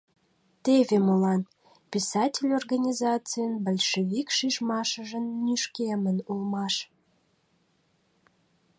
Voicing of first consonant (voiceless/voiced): voiceless